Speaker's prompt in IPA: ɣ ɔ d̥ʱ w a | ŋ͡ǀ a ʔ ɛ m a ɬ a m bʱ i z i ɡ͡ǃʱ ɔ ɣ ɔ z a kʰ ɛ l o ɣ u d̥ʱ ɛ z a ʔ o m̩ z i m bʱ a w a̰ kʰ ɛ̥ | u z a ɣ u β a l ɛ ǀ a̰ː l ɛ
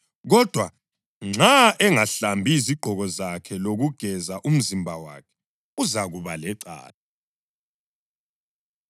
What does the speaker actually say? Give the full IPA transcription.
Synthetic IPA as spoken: ɣ ɔ d̥ʱ w a | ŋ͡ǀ a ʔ ɛ ŋ a ɬ a m bʱ i z i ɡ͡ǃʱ ɔ ɣ ɔ z a kʰ ɛ l o ɣ u ɡ̥ʱ ɛ z a ʔ u m̩ z i m bʱ a w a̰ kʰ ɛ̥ | u z a ɣ u β a l ɛ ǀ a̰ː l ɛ